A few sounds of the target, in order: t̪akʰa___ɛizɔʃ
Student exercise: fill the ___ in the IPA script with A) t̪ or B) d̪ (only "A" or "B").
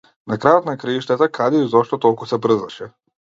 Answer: B